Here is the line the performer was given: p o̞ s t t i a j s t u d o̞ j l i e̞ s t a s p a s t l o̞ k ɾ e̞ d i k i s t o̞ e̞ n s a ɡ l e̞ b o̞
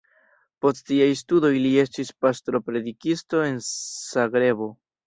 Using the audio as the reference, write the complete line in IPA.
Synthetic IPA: p o̞ s t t i a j s t u d o̞ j l i e̞ s t i s p a s t ɾ o̞ p ɾ e̞ d i k i s t o̞ e̞ n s a ɡ ɾ e̞ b o̞